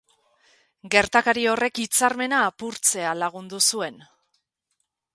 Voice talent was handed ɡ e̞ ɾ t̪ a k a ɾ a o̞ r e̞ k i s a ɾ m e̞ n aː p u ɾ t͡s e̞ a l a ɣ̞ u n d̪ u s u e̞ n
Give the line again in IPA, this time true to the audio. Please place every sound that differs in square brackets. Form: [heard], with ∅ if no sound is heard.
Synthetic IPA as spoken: ɡ e̞ ɾ t̪ a k a ɾ [i] o̞ r e̞ k i [t͡s] a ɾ m e̞ n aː p u ɾ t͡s e̞ a l a ɣ̞ u n d̪ u s u e̞ n